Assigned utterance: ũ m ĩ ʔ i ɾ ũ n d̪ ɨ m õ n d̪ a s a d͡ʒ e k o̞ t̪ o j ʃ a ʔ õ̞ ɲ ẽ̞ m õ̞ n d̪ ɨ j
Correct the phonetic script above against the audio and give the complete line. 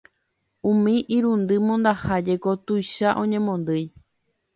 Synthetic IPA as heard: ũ m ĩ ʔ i ɾ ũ n d̪ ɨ m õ n d̪ a h a d͡ʒ e k o̞ t̪ u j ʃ a ʔ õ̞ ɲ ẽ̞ m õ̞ n d̪ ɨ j